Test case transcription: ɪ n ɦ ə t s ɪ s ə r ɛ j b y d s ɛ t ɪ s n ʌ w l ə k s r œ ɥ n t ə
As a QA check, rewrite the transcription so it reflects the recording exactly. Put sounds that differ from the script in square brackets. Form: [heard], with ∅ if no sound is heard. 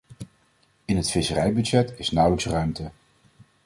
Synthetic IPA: ɪ n ɦ ə t [f] ɪ s ə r ɛ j b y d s ɛ t ɪ s n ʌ w l ə k s r œ ɥ [m] t ə